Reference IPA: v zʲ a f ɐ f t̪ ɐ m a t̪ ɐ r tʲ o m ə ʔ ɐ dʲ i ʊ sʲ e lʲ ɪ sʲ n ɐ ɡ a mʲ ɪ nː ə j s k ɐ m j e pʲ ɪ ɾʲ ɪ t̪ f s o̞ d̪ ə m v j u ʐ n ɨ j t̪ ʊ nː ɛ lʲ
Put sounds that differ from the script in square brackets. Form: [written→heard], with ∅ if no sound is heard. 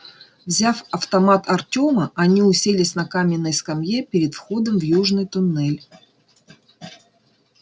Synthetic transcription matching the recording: v zʲ a f ɐ f t̪ ɐ m a t̪ ɐ r tʲ o m ə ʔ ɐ [dʲ→nʲ] i ʊ sʲ e lʲ ɪ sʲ n ɐ [ɡ→k] a mʲ ɪ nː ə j s k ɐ m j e pʲ ɪ ɾʲ ɪ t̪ f [s→x] o̞ d̪ ə m v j u ʐ n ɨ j t̪ ʊ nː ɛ lʲ